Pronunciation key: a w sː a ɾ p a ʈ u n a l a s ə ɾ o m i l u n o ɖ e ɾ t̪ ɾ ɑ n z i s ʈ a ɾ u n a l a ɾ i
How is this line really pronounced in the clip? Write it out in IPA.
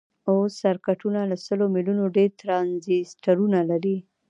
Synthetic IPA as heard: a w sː a ɾ k a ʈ u n a l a s ə l o m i l u n o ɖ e ɾ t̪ ɾ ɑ n z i s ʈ a ɾ u n a l a ɾ i